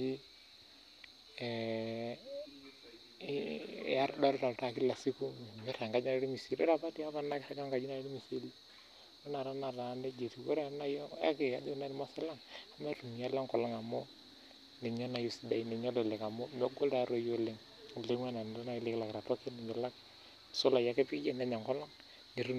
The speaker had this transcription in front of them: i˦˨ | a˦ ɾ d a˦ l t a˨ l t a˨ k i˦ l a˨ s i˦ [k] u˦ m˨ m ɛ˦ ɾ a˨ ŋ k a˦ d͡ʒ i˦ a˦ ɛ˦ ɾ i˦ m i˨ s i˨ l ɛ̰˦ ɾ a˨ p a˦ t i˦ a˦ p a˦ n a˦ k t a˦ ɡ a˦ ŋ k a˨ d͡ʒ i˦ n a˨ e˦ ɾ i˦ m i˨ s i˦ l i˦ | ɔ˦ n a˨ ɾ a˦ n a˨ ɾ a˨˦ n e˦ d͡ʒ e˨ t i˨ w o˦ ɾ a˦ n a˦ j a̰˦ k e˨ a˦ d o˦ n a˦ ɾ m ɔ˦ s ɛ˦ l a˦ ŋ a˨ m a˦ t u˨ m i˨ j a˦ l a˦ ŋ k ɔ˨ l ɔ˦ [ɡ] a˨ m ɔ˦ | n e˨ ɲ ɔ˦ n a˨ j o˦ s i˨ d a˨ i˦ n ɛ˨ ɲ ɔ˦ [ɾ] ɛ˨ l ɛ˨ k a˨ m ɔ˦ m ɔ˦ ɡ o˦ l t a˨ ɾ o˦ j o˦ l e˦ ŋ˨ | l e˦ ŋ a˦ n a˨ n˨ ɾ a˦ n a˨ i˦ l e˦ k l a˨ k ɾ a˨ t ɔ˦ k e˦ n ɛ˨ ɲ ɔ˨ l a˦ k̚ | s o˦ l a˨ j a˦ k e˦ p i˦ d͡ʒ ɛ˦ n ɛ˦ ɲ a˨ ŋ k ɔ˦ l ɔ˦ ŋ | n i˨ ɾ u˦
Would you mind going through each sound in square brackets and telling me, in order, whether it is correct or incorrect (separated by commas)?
correct, incorrect, incorrect